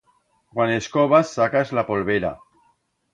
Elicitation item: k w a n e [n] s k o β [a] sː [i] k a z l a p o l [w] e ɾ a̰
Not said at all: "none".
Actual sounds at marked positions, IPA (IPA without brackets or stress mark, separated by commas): none, a, a, β